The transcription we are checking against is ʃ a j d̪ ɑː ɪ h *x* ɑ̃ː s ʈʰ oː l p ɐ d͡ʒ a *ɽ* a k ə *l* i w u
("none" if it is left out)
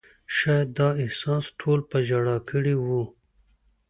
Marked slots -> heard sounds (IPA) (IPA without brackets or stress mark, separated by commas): s, ɽ, ɽ